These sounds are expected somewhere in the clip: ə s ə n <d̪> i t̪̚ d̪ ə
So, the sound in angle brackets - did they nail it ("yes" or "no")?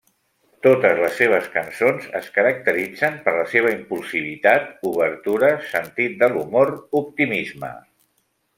no